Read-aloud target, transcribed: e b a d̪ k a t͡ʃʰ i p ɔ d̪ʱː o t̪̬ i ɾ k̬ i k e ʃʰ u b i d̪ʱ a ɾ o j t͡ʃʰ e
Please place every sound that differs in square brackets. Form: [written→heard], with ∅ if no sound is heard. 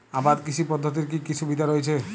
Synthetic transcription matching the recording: [e→a] b a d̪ k [a→i] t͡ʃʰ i p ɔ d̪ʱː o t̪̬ i ɾ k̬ i k [e→i] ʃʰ u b i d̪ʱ a ɾ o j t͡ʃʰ e